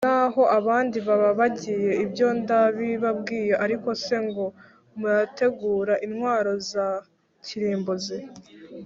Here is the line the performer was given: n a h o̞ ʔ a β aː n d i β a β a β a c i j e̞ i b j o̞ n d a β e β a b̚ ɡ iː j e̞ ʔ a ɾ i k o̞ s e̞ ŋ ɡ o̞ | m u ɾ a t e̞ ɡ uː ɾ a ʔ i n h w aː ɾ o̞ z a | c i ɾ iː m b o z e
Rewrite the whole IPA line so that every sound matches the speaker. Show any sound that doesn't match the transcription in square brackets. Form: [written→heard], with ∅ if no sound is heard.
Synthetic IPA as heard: n a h o̞ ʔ a β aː n d i β a β a β a [c→ɟ] i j e̞ i b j o̞ n d a β [e→i] β a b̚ ɡ iː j e̞ ʔ a ɾ i k o̞ s e̞ ŋ ɡ o̞ | m u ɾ a t e̞ ɡ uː ɾ a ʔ i n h w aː ɾ o̞ z a | c i ɾ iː m b o z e